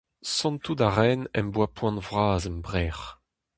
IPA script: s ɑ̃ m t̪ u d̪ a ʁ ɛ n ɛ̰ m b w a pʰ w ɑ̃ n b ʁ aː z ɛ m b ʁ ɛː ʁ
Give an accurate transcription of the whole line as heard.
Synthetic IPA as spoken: s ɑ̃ n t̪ u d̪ a ʁ ɛ n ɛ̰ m b w a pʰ w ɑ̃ n v ʁ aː z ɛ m b ʁ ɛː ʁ